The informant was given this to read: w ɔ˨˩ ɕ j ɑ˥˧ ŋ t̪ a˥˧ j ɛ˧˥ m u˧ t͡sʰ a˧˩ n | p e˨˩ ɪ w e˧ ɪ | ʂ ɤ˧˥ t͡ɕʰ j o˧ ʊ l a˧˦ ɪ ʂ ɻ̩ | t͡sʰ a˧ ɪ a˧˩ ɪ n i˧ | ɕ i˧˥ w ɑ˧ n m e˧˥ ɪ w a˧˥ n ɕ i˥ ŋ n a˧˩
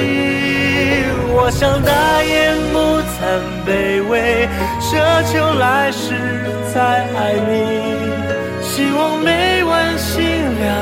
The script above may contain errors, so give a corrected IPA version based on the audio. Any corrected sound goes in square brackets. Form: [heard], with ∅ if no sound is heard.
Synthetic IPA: w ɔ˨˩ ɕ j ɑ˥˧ ŋ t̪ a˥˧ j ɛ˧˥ m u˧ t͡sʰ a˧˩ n | p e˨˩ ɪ w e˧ ɪ | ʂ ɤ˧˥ t͡ɕʰ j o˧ ʊ l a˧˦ ɪ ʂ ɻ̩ | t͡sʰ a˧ ɪ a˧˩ ɪ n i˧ | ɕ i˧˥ w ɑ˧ [ŋ] m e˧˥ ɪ w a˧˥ n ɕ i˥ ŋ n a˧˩